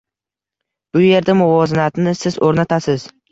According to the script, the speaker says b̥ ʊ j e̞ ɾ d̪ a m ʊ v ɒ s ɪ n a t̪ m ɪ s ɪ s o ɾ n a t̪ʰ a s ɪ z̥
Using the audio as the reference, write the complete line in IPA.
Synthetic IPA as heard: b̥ ʊ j e̞ ɾ d̪ a m ʊ v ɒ z ɪ n a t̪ n ɪ s ɪ z o ɾ n a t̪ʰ a s ɪ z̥